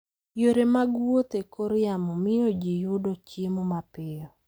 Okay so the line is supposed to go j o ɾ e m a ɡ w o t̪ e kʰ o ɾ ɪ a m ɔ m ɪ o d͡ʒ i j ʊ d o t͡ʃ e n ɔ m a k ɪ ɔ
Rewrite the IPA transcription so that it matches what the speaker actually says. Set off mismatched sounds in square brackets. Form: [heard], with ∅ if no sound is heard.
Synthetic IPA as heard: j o ɾ e m a ɡ w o t̪ e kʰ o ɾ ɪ a m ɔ m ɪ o d͡ʒ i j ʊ d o t͡ʃ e [m] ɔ m a [p] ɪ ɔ